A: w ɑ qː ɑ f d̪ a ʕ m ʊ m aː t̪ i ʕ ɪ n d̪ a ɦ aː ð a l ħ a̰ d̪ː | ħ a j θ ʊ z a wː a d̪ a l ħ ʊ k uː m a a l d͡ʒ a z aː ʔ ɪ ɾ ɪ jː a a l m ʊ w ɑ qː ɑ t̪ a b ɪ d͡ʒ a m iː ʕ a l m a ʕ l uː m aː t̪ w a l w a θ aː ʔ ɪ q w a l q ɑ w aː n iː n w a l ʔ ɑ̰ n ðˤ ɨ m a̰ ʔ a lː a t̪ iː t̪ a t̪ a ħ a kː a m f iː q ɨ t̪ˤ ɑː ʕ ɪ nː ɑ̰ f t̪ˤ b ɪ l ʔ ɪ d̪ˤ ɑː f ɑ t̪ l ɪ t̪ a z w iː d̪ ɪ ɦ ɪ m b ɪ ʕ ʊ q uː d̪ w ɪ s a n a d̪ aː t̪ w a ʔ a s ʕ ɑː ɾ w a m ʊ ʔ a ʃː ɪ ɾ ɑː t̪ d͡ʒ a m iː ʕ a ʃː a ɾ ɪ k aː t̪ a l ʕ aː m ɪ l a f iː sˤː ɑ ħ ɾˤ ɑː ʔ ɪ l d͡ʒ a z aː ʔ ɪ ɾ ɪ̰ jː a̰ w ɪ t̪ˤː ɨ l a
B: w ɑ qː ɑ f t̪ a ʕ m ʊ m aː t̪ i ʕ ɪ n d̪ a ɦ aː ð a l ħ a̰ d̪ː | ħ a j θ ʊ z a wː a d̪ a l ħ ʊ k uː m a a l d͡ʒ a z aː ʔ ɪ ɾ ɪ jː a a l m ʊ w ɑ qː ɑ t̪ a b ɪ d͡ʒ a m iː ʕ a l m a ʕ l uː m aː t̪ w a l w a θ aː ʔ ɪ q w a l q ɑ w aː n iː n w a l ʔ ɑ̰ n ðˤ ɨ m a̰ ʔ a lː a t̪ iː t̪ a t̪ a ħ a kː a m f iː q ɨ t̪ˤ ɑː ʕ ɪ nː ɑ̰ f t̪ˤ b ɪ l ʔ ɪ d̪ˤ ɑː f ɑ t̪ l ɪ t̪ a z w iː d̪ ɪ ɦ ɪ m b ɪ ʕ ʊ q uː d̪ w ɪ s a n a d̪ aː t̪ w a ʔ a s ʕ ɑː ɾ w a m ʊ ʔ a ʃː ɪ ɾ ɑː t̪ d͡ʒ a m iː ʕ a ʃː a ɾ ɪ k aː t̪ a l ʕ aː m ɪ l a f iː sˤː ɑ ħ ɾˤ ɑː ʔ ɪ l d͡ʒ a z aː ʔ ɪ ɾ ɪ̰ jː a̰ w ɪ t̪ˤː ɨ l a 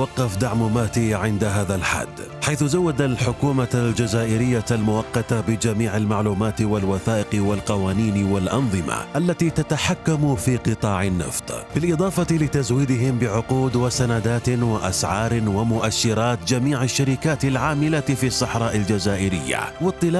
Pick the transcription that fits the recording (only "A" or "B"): A